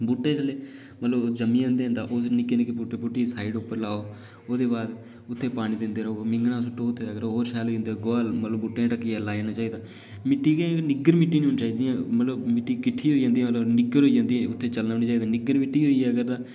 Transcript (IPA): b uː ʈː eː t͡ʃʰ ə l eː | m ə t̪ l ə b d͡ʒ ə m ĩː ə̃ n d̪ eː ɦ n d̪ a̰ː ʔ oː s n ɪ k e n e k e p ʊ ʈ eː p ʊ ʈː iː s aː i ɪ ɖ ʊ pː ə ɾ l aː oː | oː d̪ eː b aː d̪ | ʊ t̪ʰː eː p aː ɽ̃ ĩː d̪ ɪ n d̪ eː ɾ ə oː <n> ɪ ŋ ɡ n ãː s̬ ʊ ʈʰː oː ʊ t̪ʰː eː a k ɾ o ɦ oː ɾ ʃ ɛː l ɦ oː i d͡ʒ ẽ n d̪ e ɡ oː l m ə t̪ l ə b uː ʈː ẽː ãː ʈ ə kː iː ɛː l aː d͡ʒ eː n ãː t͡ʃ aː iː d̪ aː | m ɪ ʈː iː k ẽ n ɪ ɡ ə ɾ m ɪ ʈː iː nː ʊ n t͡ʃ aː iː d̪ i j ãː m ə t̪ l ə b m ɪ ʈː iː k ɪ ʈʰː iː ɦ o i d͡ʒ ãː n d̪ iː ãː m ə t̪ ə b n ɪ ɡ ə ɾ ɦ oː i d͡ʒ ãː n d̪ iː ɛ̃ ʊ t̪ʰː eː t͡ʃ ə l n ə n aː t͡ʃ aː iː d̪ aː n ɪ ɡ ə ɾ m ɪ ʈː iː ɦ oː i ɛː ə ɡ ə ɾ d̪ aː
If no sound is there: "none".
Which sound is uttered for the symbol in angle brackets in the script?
m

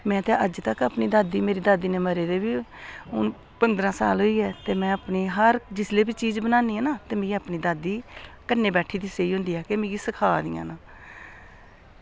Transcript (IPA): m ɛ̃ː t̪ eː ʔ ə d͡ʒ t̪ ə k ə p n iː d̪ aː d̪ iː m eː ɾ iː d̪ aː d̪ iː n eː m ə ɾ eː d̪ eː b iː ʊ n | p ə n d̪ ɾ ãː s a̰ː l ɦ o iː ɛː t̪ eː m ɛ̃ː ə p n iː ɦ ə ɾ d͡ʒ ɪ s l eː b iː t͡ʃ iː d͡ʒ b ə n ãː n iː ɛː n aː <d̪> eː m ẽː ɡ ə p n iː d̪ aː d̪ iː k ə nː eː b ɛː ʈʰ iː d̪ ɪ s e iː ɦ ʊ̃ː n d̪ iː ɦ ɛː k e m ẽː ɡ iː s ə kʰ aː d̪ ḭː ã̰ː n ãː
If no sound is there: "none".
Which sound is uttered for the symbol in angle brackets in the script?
t̪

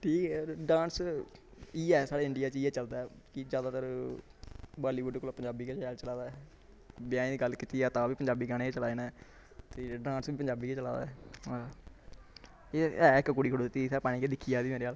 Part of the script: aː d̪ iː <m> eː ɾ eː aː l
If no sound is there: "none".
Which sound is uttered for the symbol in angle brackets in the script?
m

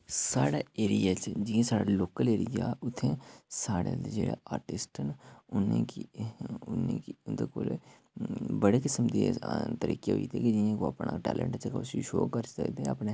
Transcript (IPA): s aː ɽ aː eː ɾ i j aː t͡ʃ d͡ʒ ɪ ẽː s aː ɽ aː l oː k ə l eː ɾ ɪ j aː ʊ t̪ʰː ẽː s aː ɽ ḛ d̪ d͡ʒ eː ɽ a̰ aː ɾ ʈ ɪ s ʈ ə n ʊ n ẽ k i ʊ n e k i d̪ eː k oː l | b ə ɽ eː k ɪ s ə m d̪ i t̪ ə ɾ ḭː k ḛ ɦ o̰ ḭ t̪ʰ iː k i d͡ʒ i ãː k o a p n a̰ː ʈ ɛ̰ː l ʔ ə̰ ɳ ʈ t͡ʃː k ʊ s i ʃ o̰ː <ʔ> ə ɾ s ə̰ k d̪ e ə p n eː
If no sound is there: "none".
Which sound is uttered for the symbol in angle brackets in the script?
k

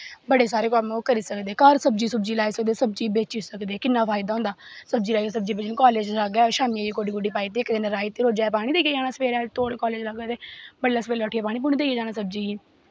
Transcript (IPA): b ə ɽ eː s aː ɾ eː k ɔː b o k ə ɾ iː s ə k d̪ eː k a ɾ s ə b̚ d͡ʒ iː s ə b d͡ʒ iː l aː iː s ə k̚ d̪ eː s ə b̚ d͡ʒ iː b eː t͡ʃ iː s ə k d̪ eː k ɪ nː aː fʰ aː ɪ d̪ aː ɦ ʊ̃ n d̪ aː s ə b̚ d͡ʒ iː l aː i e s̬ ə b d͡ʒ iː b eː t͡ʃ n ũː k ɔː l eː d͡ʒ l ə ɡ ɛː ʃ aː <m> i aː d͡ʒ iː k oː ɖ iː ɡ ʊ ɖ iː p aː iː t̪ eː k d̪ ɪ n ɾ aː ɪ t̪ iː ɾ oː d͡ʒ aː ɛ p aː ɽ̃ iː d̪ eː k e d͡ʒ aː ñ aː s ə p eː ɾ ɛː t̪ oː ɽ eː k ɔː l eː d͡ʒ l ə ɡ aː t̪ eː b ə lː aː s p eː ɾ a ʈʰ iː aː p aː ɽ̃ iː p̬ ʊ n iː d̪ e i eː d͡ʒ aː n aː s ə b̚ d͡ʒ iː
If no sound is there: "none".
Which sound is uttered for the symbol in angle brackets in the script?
m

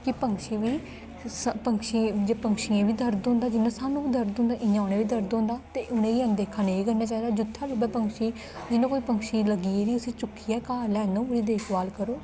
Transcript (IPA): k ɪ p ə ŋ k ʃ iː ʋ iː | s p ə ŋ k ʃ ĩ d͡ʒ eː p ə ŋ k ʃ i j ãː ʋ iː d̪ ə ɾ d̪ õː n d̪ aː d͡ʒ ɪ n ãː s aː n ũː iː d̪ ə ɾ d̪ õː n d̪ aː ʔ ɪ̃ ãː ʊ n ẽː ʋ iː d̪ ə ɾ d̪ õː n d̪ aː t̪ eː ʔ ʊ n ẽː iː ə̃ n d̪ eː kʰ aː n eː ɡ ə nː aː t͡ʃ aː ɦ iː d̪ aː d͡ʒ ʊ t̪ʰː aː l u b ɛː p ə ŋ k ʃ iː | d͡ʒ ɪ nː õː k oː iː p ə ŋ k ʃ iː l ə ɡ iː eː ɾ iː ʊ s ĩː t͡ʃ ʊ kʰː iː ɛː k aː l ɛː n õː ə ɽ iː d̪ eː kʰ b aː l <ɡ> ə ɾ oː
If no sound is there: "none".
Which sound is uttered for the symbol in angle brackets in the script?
k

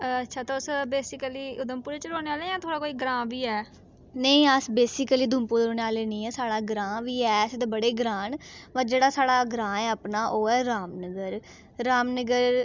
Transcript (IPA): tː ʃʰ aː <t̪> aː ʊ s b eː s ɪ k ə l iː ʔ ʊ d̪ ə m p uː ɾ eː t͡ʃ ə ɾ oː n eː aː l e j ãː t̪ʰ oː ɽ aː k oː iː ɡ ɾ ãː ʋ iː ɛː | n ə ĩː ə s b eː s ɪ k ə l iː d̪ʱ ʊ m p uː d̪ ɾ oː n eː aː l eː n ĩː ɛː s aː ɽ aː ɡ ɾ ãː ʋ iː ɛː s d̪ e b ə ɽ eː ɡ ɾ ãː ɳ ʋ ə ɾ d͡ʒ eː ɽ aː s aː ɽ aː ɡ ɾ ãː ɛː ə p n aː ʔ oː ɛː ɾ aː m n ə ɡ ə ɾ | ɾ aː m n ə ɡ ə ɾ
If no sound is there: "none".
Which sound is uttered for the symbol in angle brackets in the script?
t̪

